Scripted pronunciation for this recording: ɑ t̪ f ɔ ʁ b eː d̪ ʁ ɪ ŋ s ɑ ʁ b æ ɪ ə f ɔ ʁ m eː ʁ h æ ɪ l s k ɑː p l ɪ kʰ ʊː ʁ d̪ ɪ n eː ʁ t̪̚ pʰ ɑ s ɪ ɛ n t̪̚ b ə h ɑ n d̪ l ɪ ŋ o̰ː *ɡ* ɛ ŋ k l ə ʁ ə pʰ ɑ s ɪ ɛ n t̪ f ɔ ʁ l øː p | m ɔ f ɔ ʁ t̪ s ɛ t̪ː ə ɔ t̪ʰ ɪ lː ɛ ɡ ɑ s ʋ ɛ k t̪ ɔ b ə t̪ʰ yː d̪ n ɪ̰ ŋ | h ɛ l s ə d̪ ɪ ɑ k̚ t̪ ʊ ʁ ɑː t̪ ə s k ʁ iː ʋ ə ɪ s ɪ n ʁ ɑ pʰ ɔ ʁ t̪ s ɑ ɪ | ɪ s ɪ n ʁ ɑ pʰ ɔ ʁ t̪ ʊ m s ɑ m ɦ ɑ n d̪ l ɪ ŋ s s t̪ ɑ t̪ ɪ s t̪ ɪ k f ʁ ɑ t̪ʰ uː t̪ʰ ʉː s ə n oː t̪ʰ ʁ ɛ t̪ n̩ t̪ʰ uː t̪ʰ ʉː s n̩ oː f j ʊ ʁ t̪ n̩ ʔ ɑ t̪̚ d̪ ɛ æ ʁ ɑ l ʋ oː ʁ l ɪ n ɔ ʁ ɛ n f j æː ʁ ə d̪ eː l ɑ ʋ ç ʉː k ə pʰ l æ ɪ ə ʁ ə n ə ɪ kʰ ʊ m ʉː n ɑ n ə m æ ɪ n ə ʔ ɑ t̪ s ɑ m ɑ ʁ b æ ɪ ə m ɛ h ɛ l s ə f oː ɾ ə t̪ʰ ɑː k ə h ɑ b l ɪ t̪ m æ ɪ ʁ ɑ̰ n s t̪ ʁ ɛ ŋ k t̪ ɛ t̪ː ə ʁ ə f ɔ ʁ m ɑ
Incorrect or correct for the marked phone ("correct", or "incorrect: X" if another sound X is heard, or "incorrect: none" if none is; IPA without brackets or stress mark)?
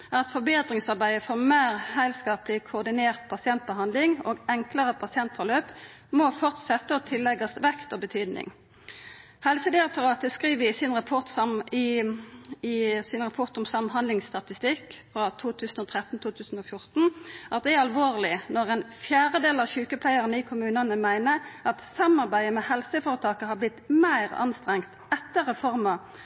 correct